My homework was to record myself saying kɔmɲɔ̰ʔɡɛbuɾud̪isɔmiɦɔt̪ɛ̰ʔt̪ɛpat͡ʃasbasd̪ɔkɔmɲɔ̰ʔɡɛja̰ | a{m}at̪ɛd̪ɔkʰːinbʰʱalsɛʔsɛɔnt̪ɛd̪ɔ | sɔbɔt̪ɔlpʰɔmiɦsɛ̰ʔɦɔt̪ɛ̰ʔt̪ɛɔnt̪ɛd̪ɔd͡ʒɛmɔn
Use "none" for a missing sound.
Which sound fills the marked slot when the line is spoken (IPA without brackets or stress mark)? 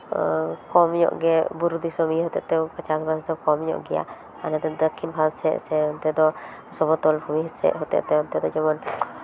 n